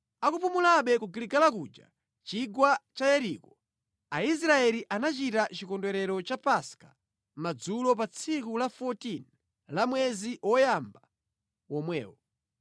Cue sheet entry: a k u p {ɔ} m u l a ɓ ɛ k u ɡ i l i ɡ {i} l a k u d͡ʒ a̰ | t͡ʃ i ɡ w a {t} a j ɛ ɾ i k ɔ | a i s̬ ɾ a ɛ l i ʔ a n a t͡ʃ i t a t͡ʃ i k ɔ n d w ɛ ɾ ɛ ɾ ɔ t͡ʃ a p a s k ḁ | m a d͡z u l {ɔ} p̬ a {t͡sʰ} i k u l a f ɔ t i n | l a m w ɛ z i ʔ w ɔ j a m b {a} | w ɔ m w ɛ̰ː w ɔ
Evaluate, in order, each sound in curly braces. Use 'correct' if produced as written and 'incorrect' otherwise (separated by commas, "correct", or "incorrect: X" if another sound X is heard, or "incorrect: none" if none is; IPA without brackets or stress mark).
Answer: incorrect: u, incorrect: a, incorrect: t͡ʃ, correct, correct, correct